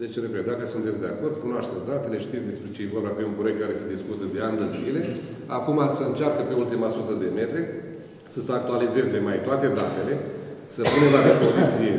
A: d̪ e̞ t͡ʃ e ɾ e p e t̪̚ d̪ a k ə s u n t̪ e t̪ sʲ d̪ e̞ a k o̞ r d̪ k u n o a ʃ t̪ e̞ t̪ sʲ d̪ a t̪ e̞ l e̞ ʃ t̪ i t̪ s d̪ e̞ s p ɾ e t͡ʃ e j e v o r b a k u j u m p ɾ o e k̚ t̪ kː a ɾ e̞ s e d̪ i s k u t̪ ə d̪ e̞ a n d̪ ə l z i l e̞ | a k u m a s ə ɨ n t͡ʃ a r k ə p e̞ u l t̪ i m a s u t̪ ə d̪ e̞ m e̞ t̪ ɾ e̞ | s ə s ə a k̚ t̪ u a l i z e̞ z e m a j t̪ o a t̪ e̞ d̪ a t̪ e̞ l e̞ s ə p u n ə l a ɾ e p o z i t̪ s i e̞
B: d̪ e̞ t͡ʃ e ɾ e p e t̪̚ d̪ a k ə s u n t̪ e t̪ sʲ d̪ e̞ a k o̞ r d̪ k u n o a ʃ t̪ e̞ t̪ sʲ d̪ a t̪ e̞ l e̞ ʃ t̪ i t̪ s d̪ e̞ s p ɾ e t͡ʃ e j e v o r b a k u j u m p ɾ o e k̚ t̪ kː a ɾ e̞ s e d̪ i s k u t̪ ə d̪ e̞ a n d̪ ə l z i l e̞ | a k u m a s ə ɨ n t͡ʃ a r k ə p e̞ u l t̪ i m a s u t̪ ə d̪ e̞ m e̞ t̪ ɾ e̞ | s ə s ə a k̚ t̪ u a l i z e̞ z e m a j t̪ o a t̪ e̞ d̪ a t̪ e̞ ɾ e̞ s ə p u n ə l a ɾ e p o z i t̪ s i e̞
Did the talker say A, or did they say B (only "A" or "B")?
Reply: A